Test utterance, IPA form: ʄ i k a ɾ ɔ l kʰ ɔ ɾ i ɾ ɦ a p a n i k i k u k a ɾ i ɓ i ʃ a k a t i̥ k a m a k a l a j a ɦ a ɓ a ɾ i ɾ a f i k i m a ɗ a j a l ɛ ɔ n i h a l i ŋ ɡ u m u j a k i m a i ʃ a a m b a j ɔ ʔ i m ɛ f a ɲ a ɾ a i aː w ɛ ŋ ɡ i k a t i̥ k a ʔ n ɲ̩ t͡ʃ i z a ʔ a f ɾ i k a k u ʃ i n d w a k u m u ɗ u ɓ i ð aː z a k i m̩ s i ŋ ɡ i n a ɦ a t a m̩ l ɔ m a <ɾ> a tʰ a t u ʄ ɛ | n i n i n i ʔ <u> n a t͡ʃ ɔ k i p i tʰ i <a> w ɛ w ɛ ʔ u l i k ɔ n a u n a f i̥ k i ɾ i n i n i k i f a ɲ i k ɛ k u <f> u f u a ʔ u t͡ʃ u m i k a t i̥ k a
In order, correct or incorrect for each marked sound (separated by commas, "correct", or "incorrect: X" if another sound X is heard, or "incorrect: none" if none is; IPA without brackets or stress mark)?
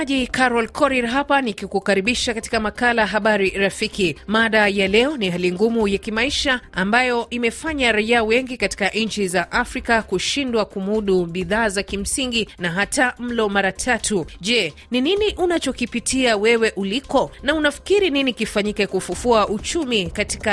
correct, correct, correct, correct